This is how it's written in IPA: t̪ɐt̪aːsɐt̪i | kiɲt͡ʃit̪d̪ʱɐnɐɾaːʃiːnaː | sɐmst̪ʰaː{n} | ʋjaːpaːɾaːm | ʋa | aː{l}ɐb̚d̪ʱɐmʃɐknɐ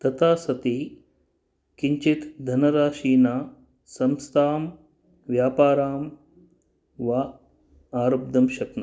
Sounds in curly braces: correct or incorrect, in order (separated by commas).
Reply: incorrect, incorrect